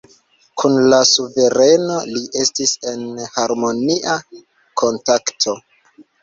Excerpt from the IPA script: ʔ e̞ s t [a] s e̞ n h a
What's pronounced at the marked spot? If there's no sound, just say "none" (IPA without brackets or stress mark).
i